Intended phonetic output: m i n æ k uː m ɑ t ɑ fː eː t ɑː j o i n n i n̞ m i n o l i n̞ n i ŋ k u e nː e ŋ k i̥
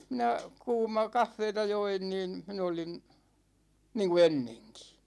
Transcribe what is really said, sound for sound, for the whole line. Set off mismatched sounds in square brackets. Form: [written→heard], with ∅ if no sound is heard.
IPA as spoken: m i n æ k uː m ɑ [t→k] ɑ fː eː t [ɑː→ɑ] j o i n n [i→iː] n̞ m i n o l i n̞ n [i→iː] ŋ k u e nː e ŋ k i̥